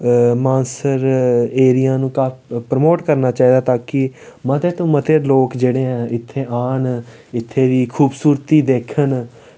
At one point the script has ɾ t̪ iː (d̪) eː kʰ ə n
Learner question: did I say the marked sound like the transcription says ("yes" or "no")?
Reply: yes